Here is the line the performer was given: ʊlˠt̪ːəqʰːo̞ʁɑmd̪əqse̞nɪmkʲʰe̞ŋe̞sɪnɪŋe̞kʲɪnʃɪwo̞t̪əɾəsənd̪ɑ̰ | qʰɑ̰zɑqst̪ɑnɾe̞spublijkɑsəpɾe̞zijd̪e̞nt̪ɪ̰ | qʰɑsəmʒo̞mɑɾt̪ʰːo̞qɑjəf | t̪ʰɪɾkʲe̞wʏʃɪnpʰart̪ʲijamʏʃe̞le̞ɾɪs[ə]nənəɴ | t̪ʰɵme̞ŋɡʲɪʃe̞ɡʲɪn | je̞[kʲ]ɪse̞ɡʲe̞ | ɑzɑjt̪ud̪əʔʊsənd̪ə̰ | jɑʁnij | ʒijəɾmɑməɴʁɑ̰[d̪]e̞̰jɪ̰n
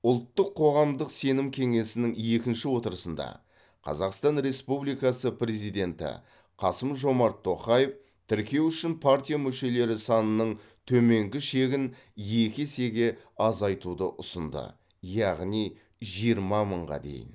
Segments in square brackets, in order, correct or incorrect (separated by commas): incorrect, correct, correct